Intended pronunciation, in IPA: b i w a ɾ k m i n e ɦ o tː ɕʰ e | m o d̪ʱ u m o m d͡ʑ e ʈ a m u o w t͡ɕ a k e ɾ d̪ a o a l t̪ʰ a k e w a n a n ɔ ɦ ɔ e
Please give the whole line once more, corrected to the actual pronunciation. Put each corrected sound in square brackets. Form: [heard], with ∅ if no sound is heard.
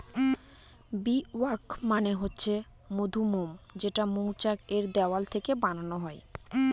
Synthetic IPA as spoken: b i w a ɾ k m [a] n e ɦ o tː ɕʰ e | m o d̪ʱ u m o m d͡ʑ e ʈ a m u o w t͡ɕ a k e ɾ d̪ [ɛ] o a l t̪ʰ [e] k e [b] a n a n [o] ɦ ɔ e